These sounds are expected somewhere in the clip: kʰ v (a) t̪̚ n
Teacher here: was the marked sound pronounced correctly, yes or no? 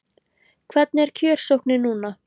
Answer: no